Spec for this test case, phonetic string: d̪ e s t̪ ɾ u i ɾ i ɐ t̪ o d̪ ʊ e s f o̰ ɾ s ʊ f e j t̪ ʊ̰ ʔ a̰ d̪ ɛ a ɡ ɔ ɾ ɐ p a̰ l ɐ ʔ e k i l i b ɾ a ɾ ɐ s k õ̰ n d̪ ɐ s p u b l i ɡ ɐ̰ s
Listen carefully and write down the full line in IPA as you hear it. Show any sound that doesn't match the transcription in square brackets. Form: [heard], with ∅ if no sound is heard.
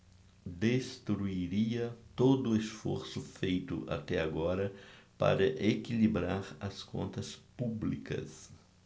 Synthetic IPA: d̪ e s t̪ ɾ u i ɾ i ɐ t̪ o d̪ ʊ e s f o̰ ɾ s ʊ f e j t̪ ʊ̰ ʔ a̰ [t̪] ɛ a ɡ ɔ ɾ ɐ p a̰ [ɾ] ɐ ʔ e k i l i b ɾ a ɾ ɐ s k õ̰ n [t̪] ɐ s p u b l i [k] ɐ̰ s